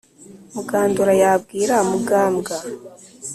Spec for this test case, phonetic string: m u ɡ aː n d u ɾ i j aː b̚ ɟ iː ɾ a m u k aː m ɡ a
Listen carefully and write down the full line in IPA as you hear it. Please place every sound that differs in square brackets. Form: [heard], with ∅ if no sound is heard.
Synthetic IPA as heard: m u ɡ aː n d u ɾ [a] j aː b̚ [ɡ] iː ɾ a m u [ɡ] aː m ɡ a